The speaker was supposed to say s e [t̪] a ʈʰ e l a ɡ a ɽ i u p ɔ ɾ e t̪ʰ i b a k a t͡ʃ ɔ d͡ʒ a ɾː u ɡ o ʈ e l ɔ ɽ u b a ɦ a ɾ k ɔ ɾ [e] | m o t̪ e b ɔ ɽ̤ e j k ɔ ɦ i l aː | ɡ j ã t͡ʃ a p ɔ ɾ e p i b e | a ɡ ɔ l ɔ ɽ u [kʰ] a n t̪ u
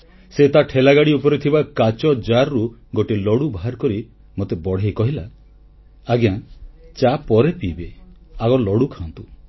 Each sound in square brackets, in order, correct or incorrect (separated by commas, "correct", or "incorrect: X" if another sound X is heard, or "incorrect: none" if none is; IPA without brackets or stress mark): correct, incorrect: i, correct